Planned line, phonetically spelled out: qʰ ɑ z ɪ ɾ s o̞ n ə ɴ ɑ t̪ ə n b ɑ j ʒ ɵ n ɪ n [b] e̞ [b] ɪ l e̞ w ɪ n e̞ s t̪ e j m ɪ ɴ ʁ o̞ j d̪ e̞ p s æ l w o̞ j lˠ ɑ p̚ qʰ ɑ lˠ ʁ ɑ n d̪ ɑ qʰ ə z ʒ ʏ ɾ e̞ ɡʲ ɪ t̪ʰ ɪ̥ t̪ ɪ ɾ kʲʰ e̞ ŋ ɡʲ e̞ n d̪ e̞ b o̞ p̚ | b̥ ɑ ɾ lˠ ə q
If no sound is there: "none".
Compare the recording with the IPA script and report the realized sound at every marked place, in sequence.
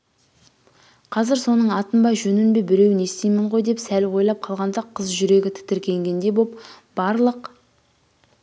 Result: b, b

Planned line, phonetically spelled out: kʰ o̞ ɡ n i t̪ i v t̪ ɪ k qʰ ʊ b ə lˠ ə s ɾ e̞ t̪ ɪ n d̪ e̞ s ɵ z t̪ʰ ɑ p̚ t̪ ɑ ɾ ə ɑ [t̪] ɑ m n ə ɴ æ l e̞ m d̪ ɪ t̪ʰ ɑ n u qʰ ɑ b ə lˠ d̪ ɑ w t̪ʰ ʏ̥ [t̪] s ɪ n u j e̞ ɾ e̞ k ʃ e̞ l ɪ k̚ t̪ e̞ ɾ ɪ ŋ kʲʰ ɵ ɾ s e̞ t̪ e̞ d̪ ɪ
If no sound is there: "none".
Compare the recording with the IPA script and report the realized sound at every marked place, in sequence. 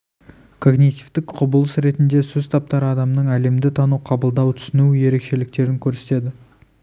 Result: d̪, none

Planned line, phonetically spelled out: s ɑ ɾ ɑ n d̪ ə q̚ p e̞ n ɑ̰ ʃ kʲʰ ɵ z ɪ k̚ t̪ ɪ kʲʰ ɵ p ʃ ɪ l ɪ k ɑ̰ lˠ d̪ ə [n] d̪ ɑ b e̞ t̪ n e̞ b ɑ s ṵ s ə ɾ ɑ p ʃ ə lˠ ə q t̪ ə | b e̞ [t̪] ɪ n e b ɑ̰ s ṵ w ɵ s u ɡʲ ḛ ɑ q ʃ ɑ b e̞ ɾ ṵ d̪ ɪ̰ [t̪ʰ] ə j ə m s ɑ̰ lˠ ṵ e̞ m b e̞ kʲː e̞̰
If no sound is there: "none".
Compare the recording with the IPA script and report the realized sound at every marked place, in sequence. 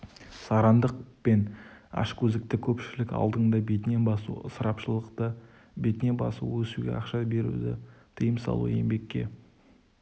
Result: ɴ, t̪, t̪ʰ

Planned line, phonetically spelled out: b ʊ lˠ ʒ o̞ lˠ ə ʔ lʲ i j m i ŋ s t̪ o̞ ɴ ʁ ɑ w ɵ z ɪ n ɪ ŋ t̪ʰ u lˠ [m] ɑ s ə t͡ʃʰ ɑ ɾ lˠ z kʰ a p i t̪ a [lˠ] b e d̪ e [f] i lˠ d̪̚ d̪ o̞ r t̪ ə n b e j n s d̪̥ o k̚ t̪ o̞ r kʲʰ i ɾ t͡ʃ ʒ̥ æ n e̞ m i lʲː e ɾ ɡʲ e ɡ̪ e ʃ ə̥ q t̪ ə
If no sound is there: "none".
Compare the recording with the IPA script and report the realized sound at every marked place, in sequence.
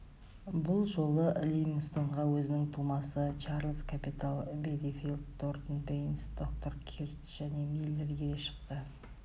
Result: m, lˠ, f

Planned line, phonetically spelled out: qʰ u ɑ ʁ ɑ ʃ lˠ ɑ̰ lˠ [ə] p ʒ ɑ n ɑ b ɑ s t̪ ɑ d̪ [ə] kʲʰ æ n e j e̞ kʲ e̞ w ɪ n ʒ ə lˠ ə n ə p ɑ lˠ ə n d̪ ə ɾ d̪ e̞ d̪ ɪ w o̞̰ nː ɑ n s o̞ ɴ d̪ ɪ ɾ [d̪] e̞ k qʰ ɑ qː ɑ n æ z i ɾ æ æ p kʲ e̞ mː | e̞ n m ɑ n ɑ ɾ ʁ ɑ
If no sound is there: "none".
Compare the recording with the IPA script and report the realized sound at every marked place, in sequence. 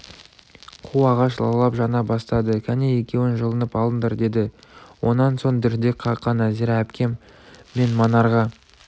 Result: ɑ, ə, d̪

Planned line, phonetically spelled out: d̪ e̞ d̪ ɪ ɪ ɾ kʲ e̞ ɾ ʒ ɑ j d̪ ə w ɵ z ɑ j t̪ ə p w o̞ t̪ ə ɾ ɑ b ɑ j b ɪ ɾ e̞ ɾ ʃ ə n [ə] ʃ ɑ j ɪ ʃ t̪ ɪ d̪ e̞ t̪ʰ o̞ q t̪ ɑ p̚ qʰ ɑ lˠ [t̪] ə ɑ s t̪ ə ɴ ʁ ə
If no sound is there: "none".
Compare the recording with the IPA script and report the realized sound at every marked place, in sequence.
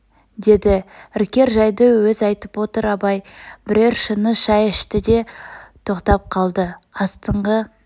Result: ə, d̪

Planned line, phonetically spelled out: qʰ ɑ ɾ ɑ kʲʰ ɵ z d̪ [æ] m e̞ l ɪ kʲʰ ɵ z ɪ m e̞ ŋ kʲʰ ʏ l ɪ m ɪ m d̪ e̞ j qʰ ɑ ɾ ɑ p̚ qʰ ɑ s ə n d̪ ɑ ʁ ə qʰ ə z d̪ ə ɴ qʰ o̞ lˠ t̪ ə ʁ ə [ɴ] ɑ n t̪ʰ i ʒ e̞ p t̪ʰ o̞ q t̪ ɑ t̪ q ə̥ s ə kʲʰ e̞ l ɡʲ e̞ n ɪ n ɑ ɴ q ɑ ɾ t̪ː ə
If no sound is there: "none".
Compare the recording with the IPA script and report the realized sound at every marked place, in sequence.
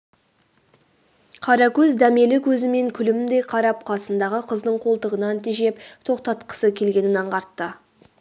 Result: æ, n

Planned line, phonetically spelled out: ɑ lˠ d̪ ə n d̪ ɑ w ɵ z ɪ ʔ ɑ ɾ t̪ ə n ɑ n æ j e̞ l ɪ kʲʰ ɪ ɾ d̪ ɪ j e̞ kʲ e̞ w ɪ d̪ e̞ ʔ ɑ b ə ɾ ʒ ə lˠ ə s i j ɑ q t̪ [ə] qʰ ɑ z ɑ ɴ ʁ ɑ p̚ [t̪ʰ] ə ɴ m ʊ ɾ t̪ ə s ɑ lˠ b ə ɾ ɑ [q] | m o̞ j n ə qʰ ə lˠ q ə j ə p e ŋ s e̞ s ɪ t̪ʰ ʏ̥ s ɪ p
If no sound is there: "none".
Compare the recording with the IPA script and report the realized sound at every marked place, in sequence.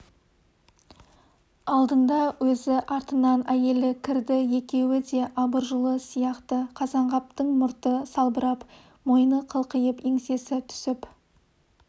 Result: ə, t̪, p

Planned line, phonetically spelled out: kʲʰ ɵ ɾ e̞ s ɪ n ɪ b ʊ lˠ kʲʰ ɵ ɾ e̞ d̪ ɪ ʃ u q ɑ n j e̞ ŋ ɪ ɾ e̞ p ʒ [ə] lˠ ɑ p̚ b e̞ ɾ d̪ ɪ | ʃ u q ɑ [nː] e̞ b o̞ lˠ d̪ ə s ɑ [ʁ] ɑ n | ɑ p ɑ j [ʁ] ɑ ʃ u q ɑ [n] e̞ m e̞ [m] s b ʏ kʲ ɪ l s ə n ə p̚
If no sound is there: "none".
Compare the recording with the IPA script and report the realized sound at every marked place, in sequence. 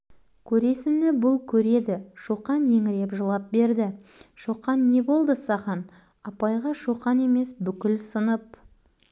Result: ə, nː, ʁ, ʁ, n, none

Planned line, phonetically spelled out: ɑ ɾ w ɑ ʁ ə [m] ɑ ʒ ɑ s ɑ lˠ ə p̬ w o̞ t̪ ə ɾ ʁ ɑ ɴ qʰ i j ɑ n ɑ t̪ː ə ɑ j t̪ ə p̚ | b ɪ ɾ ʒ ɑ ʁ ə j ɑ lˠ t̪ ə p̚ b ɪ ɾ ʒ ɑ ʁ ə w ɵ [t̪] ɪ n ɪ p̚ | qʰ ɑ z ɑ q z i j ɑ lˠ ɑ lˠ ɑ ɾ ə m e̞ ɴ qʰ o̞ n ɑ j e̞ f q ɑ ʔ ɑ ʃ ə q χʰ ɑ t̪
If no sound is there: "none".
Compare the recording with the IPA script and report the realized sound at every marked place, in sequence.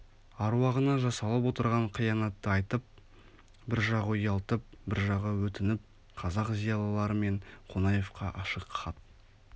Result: n, t̪

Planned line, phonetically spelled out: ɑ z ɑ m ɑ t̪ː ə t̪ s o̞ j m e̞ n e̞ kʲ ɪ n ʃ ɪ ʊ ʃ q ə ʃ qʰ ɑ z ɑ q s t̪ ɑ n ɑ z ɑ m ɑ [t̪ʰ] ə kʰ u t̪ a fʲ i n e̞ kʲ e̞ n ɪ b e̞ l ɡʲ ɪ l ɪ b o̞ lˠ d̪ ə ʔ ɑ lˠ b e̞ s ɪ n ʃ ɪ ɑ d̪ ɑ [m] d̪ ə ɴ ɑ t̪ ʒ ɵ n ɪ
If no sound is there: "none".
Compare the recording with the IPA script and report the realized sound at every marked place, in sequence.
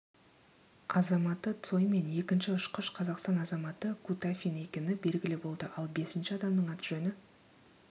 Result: t̪, m

